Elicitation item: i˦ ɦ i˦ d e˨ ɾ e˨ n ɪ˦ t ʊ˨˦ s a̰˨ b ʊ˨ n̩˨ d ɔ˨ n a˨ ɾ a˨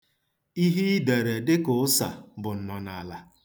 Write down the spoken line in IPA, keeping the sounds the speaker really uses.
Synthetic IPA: i˦ ɦ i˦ d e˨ ɾ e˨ d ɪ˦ k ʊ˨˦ s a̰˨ b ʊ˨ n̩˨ n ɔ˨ n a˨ l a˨